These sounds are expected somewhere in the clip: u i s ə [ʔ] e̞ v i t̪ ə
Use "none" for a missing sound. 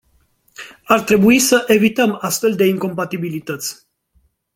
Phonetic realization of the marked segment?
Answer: ʔ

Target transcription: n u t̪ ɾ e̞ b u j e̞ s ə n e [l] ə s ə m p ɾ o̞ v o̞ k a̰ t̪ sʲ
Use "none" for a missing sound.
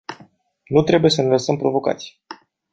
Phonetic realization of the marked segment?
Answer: l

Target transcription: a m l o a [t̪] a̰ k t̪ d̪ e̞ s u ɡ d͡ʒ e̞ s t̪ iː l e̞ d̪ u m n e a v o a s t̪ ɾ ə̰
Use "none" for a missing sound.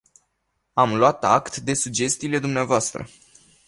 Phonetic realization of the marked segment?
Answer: t̪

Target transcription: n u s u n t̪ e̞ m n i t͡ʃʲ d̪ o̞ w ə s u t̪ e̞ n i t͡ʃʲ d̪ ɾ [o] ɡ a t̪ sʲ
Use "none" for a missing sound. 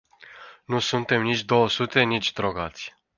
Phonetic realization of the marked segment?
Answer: o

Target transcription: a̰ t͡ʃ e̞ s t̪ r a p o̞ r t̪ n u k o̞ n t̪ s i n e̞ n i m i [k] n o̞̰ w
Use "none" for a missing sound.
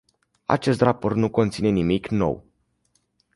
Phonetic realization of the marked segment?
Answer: k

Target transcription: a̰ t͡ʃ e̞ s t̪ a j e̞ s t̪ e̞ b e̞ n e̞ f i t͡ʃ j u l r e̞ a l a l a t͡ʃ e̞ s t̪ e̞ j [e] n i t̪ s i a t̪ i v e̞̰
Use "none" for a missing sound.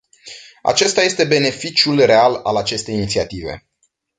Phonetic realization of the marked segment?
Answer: i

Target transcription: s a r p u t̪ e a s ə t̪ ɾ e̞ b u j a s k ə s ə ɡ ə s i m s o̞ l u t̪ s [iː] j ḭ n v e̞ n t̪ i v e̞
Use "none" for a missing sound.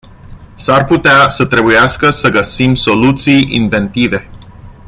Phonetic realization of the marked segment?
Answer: i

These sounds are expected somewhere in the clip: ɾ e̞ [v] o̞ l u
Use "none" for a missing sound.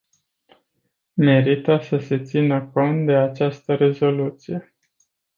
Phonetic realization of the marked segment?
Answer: z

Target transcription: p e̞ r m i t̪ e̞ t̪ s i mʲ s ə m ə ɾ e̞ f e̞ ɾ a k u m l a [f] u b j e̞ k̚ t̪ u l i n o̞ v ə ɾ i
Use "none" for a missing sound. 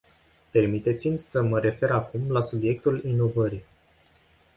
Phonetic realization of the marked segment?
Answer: s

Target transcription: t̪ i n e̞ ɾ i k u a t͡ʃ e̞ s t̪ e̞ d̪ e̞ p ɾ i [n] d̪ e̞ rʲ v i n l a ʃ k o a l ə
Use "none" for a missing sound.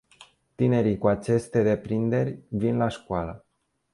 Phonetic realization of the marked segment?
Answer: n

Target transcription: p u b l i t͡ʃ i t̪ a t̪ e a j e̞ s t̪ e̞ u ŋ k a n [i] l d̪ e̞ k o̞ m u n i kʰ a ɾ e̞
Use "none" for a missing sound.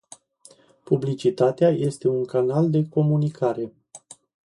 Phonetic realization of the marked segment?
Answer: a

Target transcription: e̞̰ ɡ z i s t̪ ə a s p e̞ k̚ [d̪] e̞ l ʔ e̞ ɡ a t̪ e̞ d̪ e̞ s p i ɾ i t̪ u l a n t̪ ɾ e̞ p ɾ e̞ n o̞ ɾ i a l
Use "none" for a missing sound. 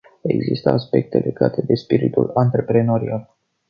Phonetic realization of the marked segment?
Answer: t̪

